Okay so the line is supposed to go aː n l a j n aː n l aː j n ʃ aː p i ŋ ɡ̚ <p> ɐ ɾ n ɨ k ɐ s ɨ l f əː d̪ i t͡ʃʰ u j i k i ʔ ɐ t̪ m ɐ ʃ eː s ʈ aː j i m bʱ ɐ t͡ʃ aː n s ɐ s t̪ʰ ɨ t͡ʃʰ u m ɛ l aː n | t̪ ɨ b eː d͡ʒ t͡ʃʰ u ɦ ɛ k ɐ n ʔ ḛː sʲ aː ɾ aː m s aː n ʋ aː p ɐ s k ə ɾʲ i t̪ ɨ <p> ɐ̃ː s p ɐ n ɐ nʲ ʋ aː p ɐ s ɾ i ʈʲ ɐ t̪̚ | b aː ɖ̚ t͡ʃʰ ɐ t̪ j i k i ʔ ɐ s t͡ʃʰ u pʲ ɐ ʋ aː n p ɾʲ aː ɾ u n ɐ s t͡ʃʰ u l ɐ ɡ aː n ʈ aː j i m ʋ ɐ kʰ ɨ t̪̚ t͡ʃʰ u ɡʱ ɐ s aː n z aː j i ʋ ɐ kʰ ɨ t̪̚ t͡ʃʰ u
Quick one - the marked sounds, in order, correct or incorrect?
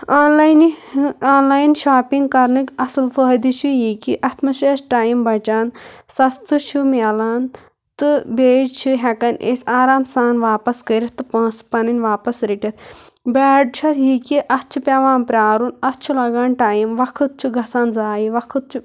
incorrect, correct

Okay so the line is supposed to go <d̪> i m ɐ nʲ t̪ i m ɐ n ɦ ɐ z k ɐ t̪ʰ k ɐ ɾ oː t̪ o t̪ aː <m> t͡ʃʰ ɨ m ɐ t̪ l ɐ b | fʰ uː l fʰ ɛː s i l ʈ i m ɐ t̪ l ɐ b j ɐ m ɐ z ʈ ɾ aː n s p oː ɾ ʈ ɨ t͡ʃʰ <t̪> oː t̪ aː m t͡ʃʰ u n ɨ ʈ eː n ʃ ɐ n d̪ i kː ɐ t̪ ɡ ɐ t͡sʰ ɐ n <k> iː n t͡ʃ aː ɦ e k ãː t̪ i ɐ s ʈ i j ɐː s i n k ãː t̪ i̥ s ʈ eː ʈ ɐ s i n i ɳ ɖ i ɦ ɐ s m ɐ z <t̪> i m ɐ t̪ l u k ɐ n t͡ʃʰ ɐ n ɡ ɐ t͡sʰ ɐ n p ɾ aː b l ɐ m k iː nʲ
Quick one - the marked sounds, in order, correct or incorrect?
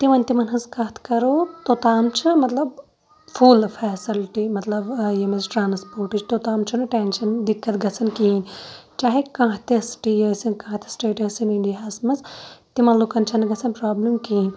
incorrect, correct, correct, correct, correct

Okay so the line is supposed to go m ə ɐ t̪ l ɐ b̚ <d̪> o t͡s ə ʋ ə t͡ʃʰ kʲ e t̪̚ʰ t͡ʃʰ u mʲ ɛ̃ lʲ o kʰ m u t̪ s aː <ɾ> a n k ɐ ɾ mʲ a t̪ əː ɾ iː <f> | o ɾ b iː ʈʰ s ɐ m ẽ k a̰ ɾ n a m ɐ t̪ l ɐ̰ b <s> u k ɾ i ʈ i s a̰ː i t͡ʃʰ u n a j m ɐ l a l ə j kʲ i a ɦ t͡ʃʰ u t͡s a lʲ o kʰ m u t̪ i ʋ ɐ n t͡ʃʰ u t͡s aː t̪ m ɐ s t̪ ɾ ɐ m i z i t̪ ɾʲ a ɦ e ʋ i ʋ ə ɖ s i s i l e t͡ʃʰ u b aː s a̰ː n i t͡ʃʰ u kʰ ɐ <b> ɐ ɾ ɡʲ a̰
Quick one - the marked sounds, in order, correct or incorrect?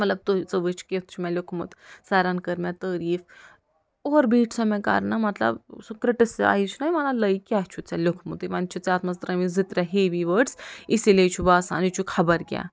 incorrect, correct, correct, correct, correct

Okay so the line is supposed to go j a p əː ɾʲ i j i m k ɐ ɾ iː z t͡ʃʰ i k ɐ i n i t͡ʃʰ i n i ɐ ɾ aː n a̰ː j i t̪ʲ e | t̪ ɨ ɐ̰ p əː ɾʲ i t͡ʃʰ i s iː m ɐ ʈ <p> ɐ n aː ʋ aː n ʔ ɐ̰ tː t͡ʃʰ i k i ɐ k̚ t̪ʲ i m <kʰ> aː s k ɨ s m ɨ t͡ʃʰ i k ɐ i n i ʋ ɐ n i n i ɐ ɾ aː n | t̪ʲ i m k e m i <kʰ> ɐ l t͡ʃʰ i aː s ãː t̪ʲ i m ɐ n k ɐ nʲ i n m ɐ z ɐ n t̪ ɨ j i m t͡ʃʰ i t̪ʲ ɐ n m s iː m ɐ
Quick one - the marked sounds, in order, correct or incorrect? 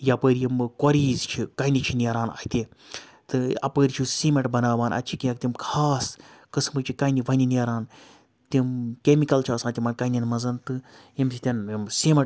incorrect, correct, incorrect

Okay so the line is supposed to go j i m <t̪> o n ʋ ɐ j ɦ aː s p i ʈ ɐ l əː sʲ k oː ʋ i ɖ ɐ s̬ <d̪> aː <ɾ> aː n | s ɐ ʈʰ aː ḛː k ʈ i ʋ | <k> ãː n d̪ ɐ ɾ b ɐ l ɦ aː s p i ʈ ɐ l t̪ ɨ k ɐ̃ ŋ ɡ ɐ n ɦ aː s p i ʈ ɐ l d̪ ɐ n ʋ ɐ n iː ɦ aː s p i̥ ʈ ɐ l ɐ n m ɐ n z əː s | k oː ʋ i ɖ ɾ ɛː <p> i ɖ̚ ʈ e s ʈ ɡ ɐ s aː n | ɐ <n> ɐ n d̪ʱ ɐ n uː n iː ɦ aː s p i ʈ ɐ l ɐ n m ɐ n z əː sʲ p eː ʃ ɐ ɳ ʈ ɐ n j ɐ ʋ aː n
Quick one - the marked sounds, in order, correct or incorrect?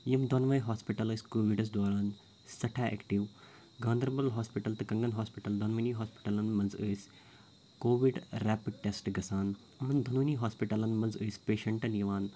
incorrect, correct, correct, incorrect, correct, incorrect

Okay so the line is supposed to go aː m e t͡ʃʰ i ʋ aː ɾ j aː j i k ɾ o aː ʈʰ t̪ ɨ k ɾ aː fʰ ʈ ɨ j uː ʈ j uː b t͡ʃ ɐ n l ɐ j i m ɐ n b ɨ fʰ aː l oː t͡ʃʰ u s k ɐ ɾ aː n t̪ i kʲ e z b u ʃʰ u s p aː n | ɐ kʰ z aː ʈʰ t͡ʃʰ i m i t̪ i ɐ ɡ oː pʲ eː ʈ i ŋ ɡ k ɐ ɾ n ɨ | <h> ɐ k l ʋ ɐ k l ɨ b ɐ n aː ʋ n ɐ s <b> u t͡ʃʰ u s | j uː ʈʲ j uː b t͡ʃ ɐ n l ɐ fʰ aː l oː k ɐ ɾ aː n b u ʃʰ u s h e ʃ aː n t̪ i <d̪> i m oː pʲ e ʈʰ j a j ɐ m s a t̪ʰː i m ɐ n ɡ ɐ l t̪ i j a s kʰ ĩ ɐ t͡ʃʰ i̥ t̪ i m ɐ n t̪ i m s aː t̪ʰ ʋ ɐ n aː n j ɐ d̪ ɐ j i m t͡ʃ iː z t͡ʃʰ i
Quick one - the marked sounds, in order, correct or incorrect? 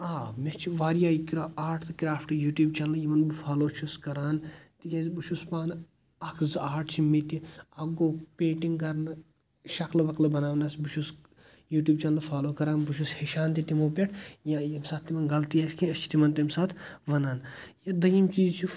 incorrect, correct, incorrect

